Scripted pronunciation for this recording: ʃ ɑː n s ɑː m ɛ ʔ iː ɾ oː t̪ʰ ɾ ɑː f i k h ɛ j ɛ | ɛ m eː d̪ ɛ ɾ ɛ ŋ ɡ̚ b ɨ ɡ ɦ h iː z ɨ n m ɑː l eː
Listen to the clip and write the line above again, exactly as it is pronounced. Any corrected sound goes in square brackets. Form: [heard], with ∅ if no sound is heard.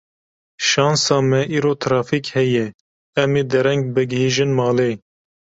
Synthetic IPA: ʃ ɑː n s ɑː m ɛ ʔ iː ɾ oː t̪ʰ ɾ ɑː f i k h ɛ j ɛ | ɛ m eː d̪ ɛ ɾ ɛ ŋ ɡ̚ b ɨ ɡ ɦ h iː [ʒ] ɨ n m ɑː l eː